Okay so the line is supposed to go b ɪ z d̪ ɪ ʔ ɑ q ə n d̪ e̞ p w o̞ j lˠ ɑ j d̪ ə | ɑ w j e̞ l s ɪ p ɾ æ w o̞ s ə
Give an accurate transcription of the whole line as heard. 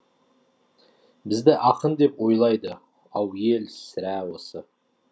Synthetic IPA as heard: b ɪ z d̪ ɪ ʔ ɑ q ə n d̪ e̞ p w o̞ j lˠ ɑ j d̪ ə | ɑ w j e̞ l s ɪ ɾ æ w o̞ s ə